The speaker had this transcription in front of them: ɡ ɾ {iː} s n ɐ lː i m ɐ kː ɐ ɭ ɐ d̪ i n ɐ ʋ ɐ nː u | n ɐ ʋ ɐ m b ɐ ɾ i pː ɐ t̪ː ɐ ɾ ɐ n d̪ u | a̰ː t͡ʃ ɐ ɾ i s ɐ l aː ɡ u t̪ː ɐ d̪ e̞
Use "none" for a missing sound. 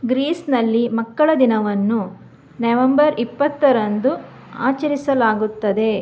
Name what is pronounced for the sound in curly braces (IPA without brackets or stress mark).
iː